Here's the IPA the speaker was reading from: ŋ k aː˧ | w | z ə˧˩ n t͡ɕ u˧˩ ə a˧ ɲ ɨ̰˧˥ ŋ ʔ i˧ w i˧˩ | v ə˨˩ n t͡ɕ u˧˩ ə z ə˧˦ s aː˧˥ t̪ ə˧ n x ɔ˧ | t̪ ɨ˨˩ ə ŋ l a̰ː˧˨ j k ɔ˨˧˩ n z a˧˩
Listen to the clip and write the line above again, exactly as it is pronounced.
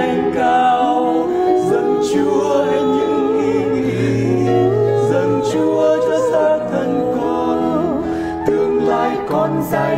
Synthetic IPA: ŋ k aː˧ | w | z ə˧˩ n t͡ɕ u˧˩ ə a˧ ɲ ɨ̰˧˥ ŋ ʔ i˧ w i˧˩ | z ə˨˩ n t͡ɕ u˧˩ ə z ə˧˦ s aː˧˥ t̪ʰ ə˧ n k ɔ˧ | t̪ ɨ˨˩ ə ŋ l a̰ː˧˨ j k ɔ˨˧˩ n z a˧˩